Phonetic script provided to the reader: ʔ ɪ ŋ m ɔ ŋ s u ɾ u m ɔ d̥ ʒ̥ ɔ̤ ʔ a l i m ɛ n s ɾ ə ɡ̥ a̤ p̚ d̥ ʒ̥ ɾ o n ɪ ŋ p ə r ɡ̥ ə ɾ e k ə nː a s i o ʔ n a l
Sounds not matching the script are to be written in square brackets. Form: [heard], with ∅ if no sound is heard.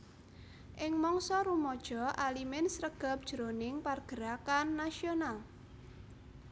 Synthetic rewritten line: ʔ ɪ ŋ m ɔ ŋ s [ɔ] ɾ u m ɔ d̥ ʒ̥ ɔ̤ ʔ a l i m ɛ n s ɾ ə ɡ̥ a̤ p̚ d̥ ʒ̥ ɾ o n ɪ ŋ p [a] r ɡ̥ ə ɾ [a] k [a] nː a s i o [∅] n a l